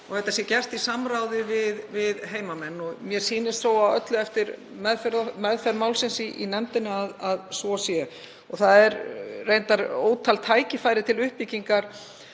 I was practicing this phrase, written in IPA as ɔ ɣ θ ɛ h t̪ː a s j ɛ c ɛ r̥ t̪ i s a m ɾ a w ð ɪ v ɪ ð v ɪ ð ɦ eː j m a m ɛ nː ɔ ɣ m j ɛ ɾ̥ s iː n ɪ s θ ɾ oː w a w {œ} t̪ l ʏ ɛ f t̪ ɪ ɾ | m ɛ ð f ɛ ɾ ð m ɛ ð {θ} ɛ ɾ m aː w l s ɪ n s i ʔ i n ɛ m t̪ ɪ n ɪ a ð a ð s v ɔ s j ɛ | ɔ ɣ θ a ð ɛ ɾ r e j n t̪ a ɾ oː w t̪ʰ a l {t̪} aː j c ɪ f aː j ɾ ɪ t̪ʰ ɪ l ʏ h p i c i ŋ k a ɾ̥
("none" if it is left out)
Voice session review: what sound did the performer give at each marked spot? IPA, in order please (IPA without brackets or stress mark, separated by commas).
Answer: œ, f, t̪ʰ